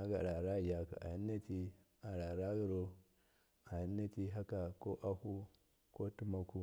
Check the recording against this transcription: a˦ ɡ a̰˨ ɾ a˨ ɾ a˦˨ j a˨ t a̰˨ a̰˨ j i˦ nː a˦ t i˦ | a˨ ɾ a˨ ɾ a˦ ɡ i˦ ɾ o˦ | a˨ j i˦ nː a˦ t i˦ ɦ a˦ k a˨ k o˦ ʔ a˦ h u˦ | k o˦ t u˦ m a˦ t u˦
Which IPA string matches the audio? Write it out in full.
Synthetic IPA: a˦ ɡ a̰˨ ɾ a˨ ɾ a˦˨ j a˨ k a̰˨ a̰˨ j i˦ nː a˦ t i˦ | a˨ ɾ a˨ ɾ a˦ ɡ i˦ ɾ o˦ | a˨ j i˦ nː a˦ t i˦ ɦ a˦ k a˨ k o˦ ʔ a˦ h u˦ | k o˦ t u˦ m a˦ k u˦